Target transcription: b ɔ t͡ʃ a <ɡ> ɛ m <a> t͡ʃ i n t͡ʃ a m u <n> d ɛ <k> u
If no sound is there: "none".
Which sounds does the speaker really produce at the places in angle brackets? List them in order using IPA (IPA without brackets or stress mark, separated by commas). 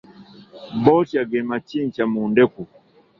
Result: ɡ, a, n, k